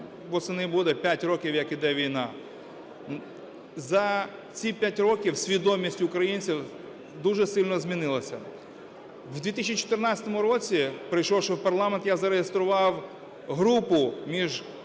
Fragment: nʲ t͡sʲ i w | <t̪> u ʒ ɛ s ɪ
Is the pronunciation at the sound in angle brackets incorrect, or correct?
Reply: incorrect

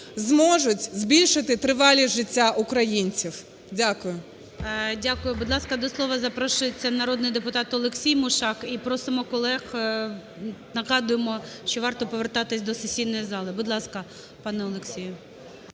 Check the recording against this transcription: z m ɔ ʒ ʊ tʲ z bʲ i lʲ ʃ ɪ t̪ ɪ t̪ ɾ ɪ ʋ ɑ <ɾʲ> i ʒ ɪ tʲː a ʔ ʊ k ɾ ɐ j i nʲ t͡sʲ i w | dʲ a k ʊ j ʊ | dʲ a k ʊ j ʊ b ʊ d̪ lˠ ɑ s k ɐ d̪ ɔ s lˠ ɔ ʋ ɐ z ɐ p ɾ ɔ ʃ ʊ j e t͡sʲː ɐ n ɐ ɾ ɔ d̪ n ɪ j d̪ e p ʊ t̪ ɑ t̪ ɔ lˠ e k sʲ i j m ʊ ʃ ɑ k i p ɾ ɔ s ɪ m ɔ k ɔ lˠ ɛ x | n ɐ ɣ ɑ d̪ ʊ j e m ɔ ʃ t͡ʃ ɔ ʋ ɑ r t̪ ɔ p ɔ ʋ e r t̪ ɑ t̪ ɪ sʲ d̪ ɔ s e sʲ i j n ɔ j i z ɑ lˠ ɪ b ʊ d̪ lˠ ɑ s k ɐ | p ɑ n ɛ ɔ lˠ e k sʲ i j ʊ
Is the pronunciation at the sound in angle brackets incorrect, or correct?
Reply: incorrect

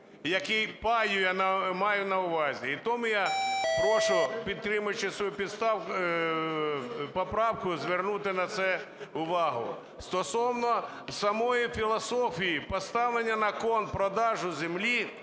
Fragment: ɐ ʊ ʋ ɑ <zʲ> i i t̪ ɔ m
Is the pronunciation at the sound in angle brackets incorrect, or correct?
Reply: correct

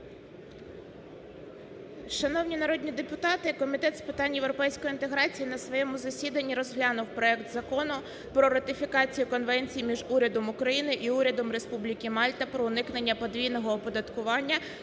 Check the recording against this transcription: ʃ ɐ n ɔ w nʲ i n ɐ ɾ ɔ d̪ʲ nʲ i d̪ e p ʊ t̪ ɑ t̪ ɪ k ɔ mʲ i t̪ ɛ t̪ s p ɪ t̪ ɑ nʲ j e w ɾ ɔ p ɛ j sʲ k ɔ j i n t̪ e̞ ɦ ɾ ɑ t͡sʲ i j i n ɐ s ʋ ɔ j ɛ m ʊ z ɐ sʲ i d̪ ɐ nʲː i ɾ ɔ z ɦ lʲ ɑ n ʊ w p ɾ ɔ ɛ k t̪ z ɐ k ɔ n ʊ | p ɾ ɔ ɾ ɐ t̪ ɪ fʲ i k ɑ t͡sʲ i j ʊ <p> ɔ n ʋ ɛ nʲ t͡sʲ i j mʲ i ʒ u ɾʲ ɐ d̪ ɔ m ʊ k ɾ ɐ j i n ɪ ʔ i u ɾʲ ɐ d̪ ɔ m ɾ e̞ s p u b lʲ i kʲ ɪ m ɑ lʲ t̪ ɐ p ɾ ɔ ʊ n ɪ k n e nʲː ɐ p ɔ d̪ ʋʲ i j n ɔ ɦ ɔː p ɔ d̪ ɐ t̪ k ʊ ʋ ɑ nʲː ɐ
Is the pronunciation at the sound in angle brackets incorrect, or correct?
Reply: incorrect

